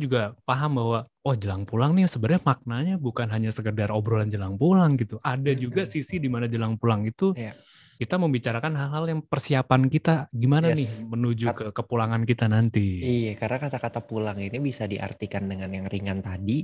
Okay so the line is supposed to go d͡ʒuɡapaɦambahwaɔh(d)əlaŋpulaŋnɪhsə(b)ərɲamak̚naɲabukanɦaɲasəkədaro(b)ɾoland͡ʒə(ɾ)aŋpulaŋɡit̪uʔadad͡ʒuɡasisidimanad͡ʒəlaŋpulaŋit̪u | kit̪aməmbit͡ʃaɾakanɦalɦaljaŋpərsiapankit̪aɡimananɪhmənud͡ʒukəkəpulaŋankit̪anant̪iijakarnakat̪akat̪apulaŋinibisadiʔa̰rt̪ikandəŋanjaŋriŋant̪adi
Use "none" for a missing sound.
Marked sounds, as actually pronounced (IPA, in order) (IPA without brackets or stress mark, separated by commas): d͡ʒ, b, b, l